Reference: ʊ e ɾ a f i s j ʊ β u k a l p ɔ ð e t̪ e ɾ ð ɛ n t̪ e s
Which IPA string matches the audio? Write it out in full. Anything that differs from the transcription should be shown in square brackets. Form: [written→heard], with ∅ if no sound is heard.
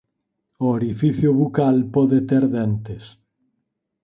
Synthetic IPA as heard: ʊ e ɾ [a→i] f i [s→θ] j ʊ β u k a l p ɔ ð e t̪ e ɾ ð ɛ n t̪ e s